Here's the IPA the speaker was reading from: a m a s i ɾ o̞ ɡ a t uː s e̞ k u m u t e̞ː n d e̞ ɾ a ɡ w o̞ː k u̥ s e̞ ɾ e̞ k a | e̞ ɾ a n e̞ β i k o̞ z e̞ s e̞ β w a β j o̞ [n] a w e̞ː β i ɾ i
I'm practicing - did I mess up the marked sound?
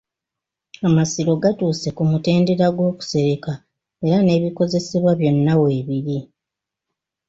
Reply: yes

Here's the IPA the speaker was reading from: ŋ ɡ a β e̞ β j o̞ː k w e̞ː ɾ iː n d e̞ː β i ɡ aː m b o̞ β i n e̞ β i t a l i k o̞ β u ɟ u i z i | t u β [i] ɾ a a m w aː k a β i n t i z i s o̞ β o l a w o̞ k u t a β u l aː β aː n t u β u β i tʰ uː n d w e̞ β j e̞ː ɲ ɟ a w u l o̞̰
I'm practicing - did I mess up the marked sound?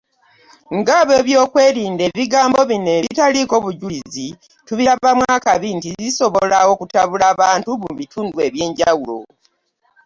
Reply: no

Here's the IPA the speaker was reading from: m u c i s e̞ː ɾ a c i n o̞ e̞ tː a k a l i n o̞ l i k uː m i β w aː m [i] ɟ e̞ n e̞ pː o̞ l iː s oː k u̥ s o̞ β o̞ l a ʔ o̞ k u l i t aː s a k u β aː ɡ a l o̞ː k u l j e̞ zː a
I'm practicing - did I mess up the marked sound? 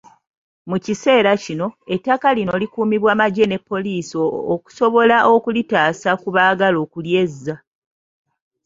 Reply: yes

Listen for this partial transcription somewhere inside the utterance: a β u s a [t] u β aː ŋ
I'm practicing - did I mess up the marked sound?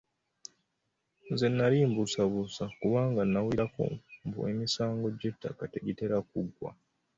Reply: yes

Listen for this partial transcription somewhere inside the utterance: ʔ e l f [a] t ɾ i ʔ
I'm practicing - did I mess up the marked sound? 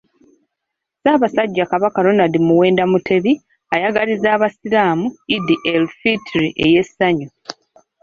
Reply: yes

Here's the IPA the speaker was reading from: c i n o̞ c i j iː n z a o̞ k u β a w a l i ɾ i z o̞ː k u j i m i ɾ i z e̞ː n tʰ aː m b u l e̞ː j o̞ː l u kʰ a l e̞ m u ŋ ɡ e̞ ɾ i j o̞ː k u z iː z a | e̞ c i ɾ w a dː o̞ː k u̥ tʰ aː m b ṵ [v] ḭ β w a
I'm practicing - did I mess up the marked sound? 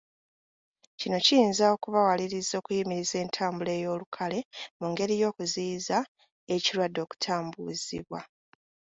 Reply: yes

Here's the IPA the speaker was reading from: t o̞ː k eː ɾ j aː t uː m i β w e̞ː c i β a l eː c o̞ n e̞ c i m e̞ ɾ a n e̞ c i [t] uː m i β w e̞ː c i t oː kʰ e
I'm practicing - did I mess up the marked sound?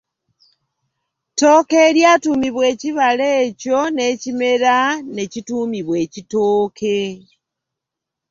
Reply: no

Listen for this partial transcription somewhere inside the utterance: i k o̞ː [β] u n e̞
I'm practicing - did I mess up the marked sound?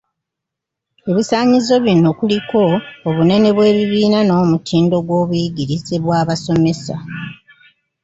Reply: no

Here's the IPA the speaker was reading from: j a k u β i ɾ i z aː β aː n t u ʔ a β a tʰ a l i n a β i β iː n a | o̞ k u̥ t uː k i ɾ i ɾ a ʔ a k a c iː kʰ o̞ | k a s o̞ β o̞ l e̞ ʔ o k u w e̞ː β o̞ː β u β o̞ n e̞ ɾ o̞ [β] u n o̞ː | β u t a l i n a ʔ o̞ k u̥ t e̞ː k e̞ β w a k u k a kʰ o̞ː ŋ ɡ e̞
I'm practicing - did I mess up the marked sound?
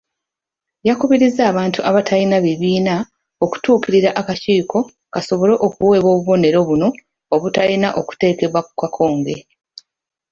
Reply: no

